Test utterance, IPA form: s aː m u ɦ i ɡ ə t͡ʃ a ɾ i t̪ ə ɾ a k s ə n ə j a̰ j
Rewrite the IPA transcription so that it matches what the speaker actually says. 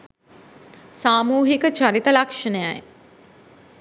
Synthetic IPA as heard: s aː m uː ɦ i k ə t͡ʃ a ɾ i t̪ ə l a k ʂ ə n ə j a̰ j